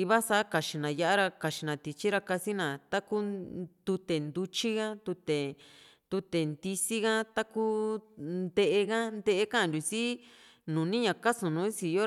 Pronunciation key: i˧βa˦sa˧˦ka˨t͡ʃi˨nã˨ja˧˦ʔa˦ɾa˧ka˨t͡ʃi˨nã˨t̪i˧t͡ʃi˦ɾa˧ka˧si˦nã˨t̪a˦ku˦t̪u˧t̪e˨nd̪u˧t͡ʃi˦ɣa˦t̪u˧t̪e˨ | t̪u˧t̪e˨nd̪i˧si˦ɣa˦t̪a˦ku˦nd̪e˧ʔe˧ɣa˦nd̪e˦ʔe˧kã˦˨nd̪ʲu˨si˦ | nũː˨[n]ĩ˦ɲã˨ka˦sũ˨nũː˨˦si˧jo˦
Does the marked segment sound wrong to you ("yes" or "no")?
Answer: no